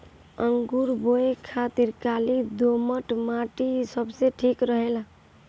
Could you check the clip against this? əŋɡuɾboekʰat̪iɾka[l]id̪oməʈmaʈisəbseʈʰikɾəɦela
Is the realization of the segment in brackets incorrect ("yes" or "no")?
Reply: no